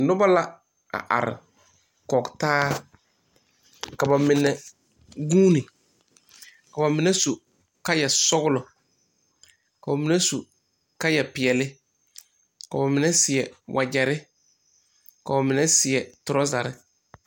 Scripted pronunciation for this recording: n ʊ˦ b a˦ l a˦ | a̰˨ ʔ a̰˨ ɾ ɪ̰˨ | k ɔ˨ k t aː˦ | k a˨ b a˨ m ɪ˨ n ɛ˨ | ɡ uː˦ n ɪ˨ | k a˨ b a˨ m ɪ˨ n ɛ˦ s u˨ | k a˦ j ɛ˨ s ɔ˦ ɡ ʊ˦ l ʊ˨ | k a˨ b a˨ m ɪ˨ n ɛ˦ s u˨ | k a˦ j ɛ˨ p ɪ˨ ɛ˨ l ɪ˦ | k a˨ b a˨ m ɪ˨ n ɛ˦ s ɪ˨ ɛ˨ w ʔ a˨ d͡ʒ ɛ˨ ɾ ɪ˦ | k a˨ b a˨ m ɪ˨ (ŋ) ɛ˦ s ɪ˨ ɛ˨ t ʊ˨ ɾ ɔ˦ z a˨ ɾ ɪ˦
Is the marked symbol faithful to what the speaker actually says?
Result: no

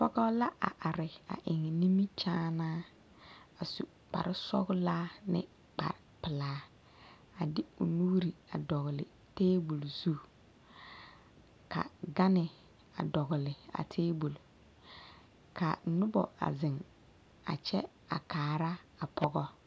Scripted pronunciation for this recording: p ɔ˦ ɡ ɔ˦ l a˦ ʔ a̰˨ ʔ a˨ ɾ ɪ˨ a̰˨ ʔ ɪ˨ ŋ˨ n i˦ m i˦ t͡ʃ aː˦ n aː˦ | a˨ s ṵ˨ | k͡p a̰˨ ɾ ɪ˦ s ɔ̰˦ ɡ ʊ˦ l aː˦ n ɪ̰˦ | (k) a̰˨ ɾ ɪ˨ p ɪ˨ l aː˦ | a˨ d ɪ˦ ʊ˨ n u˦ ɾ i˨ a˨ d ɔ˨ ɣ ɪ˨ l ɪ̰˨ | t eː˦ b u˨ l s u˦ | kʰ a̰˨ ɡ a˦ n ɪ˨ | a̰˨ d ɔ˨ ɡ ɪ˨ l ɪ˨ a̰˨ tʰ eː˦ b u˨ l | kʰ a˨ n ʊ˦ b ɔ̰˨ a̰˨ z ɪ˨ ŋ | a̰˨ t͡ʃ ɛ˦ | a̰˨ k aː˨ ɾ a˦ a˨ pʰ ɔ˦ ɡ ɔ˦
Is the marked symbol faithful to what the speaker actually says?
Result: no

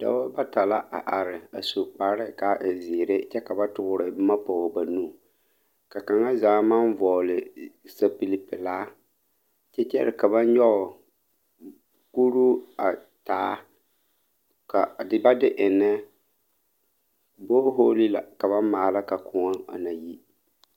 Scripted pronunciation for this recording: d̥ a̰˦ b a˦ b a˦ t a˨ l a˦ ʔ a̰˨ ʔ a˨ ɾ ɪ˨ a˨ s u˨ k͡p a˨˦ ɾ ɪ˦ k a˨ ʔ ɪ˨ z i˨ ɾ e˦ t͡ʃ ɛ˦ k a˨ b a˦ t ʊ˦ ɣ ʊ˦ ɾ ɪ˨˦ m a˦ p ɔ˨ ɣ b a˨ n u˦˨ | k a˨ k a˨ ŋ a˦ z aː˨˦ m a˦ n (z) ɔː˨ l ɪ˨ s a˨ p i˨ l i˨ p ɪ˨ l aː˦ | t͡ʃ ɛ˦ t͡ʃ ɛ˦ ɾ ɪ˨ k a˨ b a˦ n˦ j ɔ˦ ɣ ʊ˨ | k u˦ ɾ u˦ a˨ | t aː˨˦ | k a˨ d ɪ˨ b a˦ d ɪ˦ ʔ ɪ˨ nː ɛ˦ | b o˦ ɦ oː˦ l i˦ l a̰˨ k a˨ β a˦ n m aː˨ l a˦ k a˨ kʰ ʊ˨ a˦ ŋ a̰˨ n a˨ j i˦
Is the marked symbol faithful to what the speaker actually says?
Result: no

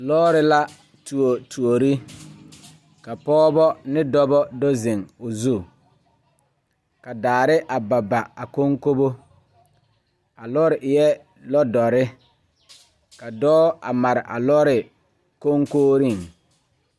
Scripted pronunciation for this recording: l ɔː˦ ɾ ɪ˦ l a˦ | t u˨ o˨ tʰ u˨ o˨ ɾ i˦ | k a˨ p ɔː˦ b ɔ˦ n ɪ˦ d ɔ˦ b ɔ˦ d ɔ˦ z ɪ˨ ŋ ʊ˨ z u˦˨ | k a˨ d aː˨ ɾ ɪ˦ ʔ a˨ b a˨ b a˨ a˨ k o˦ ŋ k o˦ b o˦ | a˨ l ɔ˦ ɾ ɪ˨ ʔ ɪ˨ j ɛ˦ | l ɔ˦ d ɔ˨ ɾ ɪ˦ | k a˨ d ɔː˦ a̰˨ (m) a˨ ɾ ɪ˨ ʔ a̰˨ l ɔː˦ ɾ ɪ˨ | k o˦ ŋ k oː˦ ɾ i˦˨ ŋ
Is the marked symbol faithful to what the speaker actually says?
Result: yes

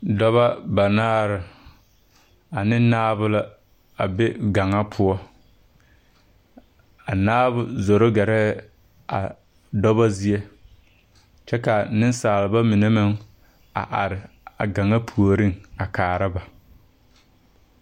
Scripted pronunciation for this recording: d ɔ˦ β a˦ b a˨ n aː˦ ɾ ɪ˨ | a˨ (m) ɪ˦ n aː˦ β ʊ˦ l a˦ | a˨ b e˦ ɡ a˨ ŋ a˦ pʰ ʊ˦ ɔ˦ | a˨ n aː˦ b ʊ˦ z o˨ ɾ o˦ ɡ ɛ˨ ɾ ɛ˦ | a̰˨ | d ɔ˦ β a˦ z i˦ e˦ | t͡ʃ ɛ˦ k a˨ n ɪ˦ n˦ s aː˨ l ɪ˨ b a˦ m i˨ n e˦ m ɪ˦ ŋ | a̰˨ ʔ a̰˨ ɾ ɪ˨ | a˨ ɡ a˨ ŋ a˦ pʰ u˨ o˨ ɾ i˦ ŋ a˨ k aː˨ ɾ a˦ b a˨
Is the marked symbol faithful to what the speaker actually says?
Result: no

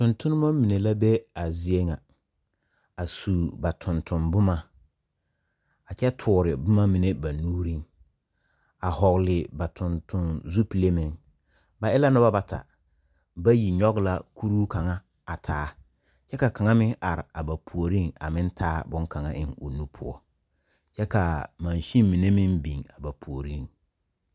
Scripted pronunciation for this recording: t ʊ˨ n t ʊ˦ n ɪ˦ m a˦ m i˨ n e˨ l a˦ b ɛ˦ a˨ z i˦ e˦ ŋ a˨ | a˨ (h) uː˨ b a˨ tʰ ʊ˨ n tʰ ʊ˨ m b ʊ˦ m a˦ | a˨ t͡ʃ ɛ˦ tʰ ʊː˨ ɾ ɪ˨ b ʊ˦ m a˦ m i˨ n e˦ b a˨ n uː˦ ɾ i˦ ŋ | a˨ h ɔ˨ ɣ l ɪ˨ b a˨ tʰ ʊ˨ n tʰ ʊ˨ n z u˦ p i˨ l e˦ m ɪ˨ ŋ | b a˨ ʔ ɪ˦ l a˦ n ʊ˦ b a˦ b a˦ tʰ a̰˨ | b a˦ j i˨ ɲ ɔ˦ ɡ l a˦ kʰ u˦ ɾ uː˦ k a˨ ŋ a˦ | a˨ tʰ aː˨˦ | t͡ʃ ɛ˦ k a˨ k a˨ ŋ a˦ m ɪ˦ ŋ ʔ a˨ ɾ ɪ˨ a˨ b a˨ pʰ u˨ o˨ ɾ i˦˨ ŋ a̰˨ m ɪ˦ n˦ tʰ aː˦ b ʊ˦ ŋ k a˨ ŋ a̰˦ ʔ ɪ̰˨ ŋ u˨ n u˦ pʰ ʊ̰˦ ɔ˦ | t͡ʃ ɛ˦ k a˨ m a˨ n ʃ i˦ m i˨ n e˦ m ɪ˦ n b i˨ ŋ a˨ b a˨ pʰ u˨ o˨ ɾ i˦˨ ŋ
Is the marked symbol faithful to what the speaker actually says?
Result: no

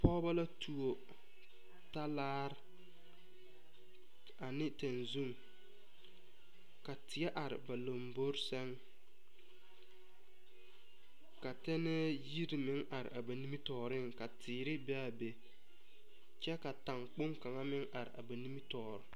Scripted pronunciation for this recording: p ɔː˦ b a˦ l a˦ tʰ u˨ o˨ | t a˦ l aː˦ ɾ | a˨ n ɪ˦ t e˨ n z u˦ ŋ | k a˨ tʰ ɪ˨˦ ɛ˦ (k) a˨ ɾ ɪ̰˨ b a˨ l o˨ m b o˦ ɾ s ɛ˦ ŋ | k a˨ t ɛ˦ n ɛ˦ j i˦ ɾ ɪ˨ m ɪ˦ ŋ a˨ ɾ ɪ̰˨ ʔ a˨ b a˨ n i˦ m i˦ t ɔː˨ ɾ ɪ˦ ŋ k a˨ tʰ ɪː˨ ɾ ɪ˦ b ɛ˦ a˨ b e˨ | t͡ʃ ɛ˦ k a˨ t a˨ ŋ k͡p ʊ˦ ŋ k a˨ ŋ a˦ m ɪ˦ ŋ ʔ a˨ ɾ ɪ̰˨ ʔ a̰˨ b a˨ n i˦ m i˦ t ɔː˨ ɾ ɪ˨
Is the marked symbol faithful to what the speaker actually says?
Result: no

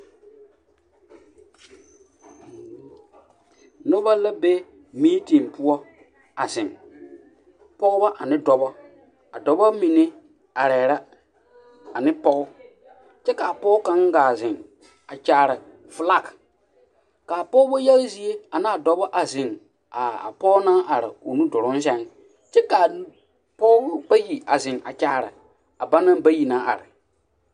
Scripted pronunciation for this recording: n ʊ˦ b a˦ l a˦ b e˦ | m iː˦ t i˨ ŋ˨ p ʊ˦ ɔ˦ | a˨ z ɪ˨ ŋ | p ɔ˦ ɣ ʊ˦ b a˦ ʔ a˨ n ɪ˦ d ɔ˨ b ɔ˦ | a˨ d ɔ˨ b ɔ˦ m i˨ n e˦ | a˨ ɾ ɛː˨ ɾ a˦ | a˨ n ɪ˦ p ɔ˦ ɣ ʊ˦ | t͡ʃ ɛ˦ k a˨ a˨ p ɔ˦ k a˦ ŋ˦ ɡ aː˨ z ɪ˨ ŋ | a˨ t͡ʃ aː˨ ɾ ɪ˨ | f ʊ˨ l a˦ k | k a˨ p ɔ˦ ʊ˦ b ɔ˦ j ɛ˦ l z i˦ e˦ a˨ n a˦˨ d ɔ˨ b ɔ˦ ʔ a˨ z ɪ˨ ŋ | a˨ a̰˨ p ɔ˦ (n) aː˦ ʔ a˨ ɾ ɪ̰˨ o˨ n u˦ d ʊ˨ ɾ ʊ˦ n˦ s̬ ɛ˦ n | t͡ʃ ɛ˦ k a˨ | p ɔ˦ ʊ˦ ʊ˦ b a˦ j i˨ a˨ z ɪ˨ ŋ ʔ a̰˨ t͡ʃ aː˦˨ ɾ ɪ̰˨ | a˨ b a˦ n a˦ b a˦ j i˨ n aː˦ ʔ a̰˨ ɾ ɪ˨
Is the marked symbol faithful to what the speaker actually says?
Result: yes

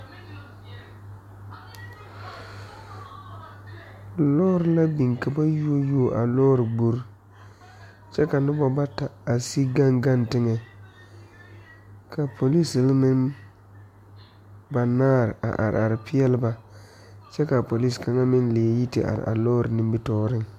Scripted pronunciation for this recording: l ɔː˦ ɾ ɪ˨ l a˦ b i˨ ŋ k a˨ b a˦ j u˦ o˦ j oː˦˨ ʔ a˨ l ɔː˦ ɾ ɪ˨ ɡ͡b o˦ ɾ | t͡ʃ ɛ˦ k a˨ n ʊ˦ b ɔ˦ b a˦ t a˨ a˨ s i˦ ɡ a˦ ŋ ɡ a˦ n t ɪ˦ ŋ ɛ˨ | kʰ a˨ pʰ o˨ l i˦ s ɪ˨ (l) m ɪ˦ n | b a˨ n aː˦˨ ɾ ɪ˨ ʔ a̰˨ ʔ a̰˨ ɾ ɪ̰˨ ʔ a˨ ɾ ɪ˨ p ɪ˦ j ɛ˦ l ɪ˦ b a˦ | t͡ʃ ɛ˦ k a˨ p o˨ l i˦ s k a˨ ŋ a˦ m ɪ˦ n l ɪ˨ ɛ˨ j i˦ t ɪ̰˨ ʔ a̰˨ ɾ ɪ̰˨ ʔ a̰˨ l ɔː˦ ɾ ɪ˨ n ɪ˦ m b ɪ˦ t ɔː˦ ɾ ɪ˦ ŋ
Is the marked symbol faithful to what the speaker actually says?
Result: yes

